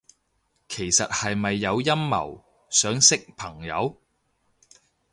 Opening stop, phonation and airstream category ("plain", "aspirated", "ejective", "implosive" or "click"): aspirated